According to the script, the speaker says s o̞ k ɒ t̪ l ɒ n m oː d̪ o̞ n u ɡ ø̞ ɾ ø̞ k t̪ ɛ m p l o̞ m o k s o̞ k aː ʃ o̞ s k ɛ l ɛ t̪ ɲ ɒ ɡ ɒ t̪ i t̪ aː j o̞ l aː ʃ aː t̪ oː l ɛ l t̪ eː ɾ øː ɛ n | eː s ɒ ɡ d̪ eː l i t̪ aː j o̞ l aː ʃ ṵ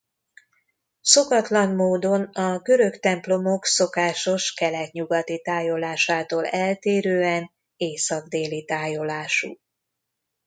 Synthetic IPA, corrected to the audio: s o̞ k ɒ t̪ l ɒ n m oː d̪ o̞ n ɒ ɡ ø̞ ɾ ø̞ k t̪ ɛ m p l o̞ m o k s o̞ k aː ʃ o̞ ʃ k ɛ l ɛ t̪ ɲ u ɡ ɒ t̪ i t̪ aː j o̞ l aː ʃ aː t̪ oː l ɛ l t̪ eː ɾ øː ɛ n | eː s ɒ ɡ d̪ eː l i t̪ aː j o̞ l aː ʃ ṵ